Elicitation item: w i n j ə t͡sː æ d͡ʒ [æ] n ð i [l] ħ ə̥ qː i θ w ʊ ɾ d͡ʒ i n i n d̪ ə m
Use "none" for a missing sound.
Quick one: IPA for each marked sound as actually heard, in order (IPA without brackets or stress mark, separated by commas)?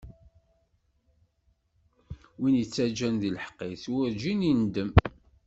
æ, l